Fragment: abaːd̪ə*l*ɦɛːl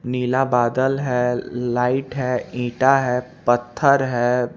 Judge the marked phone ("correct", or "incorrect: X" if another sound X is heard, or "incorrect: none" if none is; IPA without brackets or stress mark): correct